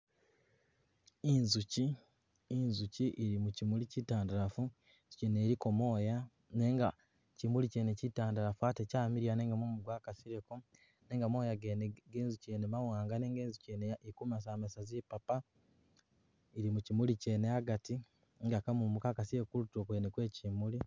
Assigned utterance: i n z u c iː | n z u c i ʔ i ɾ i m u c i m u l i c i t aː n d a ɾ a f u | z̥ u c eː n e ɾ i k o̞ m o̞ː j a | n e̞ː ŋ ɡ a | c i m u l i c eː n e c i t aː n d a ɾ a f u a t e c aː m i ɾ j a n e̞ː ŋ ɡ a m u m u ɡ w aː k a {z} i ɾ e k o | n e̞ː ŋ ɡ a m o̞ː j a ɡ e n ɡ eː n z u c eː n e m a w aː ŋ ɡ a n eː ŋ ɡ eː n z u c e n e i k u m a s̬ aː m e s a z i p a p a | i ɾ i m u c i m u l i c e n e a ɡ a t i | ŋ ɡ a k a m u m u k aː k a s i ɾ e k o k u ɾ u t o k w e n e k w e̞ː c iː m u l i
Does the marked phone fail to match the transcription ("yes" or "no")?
yes